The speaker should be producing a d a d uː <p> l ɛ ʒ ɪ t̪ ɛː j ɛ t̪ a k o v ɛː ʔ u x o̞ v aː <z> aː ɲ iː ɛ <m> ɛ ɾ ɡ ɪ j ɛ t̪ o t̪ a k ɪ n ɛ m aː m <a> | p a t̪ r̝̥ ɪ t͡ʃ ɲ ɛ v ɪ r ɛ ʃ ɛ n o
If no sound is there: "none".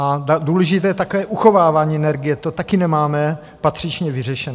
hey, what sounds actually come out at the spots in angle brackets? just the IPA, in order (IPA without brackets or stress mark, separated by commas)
none, v, n, ɛ